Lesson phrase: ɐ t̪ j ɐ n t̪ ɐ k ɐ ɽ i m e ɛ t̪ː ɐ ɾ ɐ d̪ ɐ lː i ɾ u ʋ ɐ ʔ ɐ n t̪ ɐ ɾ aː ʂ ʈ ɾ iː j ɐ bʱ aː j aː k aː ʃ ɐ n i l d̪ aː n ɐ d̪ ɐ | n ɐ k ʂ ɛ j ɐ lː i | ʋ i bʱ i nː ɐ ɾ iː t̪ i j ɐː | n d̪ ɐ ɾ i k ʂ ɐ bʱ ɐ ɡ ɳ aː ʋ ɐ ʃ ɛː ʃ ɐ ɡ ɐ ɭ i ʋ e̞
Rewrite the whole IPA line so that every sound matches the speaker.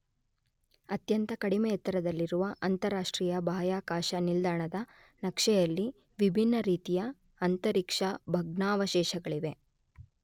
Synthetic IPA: ɐ t̪ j ɐ n t̪ ɐ k ɐ ɽ i m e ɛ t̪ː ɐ ɾ ɐ d̪ ɐ lː i ɾ u ʋ ɐ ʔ ɐ n t̪ ɐ ɾ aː ʂ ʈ ɾ iː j ɐ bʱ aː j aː k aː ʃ ɐ n i l d̪ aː ɳ ɐ d̪ ɐ | n ɐ k ʂ ɛ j ɐ lː i | ʋ i bʱ i nː ɐ ɾ iː t̪ i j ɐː | n t̪ ɐ ɾ i k ʂ ɐ bʱ ɐ ɡ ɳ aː ʋ ɐ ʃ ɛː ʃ ɐ ɡ ɐ ɭ i ʋ e̞